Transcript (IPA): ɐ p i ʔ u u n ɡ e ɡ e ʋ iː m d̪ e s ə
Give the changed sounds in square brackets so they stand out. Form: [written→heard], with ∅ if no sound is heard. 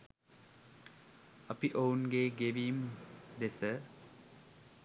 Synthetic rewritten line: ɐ p i ʔ [u→o] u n ɡ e ɡ e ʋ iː m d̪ e s ə